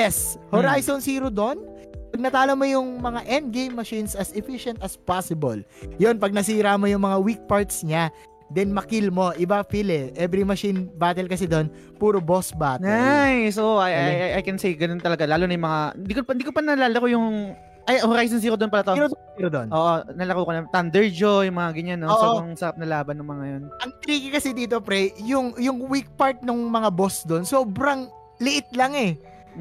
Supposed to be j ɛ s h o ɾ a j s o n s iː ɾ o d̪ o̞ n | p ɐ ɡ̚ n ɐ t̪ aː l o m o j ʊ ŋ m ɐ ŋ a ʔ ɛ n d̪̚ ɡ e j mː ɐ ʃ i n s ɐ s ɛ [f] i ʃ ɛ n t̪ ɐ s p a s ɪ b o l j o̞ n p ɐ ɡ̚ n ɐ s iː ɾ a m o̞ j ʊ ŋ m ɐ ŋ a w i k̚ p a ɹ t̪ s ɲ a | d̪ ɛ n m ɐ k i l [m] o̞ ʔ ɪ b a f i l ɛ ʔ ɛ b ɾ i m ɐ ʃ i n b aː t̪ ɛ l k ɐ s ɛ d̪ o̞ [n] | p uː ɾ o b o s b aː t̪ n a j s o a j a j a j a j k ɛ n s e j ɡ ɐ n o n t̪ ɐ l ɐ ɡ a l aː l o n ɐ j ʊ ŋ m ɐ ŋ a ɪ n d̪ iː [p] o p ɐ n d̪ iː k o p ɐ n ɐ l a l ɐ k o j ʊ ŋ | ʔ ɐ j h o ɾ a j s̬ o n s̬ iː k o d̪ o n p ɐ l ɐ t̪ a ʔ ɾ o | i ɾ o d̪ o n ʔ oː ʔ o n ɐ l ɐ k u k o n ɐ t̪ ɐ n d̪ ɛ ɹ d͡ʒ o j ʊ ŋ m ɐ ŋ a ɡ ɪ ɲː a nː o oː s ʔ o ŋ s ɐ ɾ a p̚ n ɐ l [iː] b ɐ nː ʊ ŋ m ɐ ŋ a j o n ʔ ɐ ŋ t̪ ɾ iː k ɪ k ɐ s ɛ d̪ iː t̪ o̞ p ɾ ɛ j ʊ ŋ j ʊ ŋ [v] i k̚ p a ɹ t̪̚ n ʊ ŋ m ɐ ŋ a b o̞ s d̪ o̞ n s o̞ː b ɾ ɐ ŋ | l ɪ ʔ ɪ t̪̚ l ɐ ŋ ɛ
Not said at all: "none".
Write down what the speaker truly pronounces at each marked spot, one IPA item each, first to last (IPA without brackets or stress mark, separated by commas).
f, m, n, k, aː, w